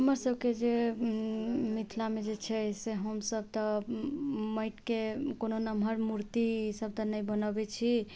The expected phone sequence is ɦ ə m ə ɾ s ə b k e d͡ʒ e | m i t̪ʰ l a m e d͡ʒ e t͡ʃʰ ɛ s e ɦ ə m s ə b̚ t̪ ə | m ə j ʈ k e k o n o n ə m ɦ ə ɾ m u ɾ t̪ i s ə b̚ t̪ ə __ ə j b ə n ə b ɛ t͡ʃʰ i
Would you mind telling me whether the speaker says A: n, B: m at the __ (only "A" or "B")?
A